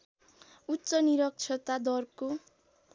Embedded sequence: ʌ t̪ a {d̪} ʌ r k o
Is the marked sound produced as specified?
yes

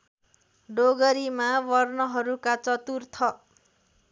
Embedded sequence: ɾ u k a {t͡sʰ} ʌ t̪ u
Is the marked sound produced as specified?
no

